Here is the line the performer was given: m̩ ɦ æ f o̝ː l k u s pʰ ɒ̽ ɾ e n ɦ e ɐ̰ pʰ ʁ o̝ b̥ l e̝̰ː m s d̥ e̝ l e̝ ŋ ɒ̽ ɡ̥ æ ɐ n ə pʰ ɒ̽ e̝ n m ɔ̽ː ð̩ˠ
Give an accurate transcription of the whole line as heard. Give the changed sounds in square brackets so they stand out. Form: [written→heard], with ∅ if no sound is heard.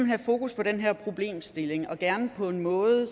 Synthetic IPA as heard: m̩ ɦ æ f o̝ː [l→∅] k u s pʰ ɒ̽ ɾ e n ɦ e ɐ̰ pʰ ʁ o̝ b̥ l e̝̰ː m s d̥ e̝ l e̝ ŋ ɒ̽ ɡ̥ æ ɐ n ə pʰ ɒ̽ e̝ n m ɔ̽ː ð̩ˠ